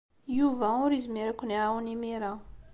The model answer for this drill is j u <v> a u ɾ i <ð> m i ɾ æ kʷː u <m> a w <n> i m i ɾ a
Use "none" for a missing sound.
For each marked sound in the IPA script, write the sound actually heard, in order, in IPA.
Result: v, z, n, n

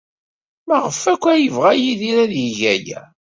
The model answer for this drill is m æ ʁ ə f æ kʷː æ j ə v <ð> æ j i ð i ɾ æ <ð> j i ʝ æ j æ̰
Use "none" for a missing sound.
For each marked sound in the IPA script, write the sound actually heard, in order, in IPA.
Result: ʁ, ð

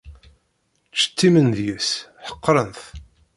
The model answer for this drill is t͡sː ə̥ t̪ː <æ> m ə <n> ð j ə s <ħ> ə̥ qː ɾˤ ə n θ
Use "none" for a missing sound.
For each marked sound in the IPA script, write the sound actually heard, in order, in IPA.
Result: i, n, ħ

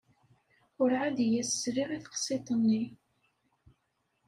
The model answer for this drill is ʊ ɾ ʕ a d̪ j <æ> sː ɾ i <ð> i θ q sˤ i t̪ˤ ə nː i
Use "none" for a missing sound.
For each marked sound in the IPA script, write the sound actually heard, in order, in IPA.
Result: æ, ʁ

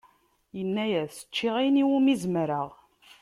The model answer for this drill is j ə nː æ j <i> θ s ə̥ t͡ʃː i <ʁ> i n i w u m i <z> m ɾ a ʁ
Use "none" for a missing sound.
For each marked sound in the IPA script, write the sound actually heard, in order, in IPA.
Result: æ, ʁ, z

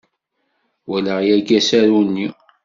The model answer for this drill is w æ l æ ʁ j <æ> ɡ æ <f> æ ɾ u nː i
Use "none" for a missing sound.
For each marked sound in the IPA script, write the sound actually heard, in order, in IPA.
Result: æ, s

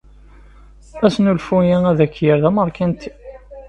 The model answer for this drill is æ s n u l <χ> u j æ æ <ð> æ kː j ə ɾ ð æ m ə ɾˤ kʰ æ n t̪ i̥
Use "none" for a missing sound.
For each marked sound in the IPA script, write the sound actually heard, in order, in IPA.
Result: f, ð

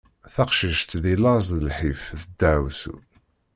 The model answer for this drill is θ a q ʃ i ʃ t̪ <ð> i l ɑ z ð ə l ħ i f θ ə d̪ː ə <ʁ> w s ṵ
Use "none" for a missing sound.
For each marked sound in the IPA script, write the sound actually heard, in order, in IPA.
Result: ð, ʕ

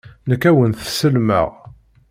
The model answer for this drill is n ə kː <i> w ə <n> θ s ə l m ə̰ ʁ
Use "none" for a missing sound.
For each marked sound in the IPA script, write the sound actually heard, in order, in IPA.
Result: æ, n

